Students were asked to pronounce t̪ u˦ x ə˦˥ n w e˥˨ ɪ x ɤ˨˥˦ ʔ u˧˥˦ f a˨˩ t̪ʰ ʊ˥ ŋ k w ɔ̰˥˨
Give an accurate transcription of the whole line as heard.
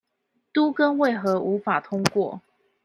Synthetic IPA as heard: t̪ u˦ k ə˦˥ n w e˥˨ ɪ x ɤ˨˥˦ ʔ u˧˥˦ f a˨˩ t̪ʰ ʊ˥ ŋ k w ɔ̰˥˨